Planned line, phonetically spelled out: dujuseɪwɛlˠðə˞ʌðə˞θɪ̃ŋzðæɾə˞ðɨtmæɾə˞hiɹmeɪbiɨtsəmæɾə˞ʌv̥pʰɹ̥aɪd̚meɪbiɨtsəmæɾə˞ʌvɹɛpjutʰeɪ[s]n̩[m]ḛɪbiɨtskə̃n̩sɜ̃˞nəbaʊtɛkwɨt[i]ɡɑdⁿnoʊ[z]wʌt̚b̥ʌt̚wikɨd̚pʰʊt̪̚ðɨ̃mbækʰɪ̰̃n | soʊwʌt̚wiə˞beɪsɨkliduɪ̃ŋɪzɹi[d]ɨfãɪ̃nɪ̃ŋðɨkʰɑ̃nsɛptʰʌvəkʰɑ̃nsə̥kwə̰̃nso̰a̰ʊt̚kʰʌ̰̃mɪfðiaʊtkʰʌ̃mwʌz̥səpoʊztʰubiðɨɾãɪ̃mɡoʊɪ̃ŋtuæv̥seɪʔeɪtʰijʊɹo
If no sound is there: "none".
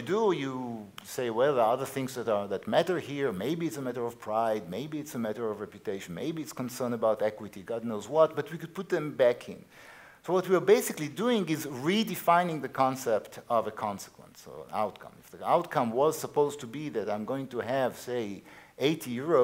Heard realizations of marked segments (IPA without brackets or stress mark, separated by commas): ʃ, m, i, z, d